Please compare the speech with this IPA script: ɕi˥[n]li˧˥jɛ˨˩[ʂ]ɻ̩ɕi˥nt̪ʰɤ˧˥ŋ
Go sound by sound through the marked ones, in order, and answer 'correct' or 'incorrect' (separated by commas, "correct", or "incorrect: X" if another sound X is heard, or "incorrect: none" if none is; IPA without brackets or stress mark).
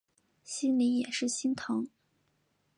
correct, correct